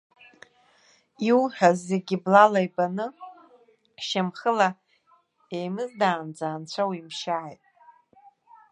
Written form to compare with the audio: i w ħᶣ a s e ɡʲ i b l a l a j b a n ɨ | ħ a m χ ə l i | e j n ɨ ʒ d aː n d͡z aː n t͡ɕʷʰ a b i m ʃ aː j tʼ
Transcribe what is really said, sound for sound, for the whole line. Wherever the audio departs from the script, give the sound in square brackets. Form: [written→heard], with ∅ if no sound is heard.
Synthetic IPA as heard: i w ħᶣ a [s→z] e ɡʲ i b l a l a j b a n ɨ | [ħ→ʃ] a m χ ə l [i→a] | e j [n→m] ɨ [ʒ→z] d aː n d͡z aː n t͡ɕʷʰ a [b→w] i m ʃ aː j tʼ